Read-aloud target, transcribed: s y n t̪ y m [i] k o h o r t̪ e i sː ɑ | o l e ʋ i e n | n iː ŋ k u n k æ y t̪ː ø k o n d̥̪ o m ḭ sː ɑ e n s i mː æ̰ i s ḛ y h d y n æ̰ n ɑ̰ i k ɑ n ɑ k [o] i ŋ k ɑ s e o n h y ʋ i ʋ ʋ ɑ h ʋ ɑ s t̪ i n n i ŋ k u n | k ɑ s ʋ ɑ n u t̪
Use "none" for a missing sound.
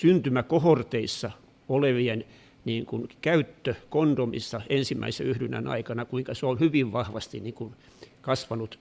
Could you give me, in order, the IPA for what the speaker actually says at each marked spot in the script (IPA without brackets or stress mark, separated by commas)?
æ, u